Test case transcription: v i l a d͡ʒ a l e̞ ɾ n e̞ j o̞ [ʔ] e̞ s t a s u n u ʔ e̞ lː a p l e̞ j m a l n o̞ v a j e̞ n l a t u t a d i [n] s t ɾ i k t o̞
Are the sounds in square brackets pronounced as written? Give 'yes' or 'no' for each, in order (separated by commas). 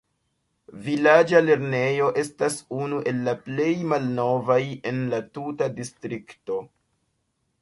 yes, no